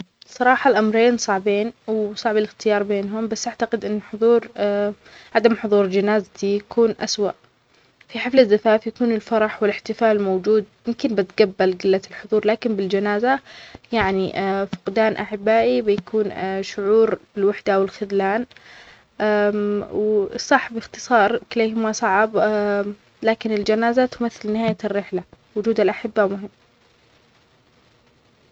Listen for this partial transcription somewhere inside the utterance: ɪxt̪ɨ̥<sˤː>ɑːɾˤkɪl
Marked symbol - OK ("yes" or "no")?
no